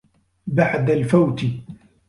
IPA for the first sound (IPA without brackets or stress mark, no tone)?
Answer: b